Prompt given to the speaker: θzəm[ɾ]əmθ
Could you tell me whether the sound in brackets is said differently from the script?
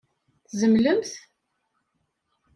yes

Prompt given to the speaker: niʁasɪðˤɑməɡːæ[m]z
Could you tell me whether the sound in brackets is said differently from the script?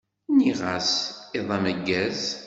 yes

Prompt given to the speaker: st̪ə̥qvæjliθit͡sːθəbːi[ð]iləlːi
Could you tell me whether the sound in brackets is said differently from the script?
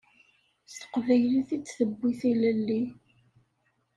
yes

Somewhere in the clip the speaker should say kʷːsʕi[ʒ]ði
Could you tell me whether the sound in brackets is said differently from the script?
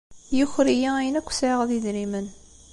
yes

